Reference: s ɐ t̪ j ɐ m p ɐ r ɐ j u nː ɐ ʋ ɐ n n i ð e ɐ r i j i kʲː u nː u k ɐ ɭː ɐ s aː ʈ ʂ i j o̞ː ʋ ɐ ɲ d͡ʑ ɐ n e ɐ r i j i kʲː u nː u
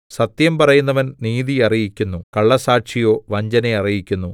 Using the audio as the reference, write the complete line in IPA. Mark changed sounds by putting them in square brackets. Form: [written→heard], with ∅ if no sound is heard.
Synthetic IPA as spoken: s ɐ t̪ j ɐ m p ɐ r ɐ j u nː ɐ ʋ ɐ n n [i→iː] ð [e→i] ɐ r i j i kʲː u nː u k ɐ ɭː ɐ s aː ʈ ʂ i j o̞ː ʋ ɐ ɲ d͡ʑ ɐ n e ɐ r i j i kʲː u nː u